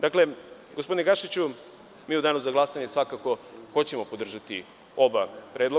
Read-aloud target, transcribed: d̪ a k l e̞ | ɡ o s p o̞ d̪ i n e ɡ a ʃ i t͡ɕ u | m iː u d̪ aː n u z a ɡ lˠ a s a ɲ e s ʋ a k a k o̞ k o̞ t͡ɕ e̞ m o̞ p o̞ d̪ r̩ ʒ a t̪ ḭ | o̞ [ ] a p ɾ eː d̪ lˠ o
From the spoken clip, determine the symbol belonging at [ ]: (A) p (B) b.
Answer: B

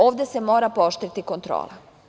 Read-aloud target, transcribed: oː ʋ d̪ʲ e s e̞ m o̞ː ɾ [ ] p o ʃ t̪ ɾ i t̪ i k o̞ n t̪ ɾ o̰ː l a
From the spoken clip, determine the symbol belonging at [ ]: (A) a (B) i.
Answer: A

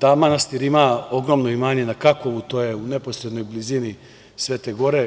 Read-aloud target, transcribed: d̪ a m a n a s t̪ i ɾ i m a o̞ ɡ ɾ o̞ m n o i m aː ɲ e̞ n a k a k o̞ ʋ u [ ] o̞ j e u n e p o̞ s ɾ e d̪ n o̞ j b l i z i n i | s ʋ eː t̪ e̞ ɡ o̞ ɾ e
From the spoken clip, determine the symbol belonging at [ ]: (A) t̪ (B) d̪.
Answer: A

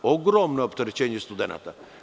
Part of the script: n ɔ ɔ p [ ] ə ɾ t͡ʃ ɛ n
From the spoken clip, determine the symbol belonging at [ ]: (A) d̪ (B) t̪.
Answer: B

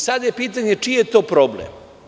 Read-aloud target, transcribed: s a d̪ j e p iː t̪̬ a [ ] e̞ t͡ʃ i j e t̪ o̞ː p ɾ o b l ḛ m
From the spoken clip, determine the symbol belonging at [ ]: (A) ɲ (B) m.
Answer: A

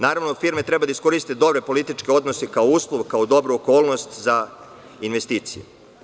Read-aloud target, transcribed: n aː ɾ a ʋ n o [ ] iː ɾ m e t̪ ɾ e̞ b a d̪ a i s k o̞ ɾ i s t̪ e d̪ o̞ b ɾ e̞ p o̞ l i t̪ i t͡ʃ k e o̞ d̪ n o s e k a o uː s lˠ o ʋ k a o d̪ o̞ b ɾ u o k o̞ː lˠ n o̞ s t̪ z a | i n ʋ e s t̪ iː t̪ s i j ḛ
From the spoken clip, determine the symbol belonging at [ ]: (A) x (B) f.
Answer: B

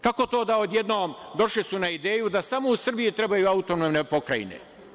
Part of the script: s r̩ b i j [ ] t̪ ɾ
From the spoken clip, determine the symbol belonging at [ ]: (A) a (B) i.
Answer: B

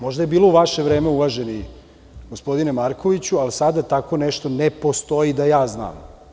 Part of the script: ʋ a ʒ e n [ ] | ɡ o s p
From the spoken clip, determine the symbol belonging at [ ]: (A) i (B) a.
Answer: A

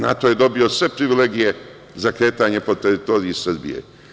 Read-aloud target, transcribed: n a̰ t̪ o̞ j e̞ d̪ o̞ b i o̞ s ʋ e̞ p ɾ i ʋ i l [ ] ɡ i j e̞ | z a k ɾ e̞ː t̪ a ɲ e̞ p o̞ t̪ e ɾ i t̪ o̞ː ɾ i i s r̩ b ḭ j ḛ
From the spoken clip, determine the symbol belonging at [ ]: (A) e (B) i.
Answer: A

